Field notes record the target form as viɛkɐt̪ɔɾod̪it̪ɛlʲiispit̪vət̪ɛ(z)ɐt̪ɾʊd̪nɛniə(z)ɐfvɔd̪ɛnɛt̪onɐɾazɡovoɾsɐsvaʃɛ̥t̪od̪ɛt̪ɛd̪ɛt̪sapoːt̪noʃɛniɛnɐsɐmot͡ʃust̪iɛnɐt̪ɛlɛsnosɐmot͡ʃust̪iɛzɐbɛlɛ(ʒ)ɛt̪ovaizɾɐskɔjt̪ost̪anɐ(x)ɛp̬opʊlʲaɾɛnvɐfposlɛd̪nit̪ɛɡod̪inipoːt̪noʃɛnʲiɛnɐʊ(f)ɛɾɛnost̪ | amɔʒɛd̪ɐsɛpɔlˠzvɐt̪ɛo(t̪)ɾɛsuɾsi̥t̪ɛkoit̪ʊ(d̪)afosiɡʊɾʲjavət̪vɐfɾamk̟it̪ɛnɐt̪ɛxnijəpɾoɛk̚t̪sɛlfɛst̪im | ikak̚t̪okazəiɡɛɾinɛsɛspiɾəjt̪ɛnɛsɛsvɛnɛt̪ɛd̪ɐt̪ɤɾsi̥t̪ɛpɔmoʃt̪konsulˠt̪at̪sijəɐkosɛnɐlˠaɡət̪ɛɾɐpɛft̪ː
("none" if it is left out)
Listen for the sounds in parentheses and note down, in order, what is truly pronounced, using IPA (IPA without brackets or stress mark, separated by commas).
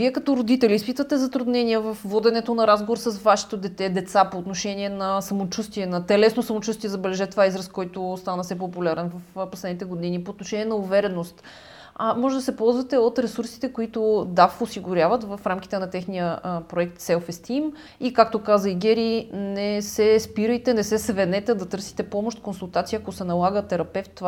z, v, ʒ, s, v, t̪, d̪